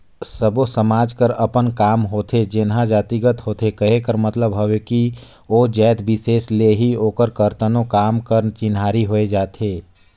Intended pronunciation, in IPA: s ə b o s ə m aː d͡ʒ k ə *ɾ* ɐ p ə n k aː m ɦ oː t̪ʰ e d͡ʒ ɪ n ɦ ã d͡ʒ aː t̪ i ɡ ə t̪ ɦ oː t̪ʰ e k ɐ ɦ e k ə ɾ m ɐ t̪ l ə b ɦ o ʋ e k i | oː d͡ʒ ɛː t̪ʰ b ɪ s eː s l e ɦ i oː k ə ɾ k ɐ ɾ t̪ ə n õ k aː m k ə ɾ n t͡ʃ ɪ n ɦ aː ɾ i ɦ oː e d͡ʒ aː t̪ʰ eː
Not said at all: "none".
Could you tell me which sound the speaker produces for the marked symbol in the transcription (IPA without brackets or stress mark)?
ɾ